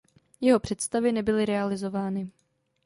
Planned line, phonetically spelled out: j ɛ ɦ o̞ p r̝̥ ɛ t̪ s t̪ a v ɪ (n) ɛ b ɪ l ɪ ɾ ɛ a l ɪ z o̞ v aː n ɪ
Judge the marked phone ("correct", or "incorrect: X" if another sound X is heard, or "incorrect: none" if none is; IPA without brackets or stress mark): correct